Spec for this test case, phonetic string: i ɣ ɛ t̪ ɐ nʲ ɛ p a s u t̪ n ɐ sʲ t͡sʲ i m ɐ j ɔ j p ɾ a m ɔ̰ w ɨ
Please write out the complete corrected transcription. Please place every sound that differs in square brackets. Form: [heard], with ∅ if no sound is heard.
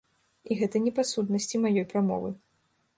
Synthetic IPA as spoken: i ɣ ɛ t̪ ɐ nʲ ɛ p a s u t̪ n ɐ sʲ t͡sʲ i m [a] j ɔ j p ɾ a m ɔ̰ [v] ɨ